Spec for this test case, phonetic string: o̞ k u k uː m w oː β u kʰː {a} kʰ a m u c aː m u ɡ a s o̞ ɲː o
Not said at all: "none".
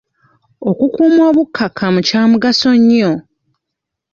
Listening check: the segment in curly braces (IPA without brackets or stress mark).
a